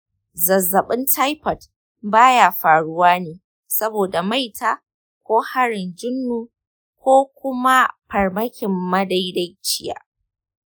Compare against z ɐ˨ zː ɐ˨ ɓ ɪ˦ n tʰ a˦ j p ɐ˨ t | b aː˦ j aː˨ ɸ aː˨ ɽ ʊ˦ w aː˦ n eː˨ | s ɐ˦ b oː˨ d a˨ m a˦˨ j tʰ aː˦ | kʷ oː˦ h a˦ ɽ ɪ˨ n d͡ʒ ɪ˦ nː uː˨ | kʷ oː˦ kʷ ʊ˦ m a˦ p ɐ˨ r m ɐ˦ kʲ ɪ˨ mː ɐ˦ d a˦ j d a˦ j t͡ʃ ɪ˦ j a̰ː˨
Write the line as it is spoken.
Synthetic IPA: z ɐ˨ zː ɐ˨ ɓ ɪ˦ n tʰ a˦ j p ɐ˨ t | b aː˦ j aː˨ ɸ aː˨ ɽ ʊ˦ w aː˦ n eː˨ | s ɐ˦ b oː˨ d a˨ m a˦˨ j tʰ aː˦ | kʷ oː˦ h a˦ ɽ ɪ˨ n d͡ʒ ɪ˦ nː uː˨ | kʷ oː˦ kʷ ʊ˦ m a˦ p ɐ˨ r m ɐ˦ kʲ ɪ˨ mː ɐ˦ d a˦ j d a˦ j t͡ʃ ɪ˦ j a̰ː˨

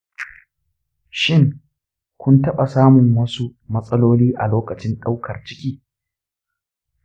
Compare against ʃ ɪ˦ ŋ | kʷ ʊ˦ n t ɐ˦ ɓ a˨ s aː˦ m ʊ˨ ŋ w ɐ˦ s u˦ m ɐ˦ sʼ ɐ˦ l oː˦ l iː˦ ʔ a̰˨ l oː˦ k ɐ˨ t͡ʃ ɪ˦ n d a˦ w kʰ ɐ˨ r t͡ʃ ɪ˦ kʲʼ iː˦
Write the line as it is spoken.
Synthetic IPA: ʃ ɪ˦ ŋ | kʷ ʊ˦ n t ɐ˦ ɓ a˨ s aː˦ m ʊ˨ ŋ w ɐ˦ s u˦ m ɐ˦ sʼ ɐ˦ l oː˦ l iː˦ ʔ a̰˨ l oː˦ k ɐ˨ t͡ʃ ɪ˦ n ɗ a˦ w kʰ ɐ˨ r t͡ʃ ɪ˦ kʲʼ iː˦

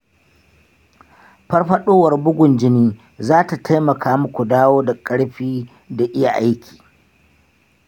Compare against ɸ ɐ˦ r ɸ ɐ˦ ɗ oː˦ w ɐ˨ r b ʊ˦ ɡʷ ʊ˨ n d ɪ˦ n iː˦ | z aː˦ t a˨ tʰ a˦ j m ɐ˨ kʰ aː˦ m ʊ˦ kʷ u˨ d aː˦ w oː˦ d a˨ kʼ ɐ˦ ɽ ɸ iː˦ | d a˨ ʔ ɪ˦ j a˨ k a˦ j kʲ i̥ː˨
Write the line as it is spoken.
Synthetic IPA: ɸ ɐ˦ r ɸ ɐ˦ ɗ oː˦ w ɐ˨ r b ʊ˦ ɡʷ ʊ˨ n d͡ʒ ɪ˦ n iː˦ | z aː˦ t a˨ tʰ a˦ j m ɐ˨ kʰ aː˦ m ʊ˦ kʷ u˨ d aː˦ w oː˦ d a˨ kʼ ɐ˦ ɽ ɸ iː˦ | d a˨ ʔ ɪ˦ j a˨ ʔ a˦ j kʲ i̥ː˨

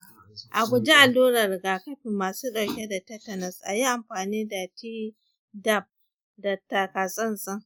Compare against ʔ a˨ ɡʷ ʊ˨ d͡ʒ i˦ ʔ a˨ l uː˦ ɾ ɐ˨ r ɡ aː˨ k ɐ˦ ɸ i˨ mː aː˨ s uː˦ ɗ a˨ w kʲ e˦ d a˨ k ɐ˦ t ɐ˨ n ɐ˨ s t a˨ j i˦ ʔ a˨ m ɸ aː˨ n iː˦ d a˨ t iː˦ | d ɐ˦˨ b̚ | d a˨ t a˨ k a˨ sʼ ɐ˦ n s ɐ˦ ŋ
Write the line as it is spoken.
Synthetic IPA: ʔ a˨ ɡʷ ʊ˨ d͡ʒ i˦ ʔ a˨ l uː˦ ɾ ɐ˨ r ɡ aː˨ k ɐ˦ ɸ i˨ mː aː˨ s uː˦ ɗ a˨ w kʲ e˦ d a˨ t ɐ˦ t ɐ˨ n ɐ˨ s ʔ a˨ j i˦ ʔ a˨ m ɸ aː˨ n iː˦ d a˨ t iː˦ | d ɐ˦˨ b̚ | d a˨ t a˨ k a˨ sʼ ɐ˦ n s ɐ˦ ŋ

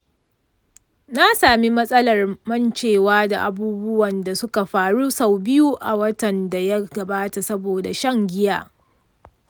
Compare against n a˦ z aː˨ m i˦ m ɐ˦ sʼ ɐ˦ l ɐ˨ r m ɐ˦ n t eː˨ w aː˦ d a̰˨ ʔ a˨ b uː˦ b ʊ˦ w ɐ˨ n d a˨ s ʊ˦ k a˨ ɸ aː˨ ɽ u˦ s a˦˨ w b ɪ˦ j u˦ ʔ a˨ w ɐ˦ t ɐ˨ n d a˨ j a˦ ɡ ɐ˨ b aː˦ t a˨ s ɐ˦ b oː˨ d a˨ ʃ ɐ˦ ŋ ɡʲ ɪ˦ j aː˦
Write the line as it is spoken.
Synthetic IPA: n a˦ s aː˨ m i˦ m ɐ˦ sʼ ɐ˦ l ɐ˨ r m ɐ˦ n t͡ʃ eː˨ w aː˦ d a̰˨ ʔ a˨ b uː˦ b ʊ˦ w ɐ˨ n d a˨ s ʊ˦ k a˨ ɸ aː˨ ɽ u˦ s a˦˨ w b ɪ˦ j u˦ ʔ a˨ w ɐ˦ t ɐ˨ n d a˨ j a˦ ɡ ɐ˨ b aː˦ t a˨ s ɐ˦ b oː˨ d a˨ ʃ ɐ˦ ŋ ɡʲ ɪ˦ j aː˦

